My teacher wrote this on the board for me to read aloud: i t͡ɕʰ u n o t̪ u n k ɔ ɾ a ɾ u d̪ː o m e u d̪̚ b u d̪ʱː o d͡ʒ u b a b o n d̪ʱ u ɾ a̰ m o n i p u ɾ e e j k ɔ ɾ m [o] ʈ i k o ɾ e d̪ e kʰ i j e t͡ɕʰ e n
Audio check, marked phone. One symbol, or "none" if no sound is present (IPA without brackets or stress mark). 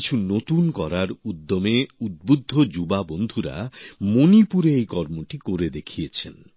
o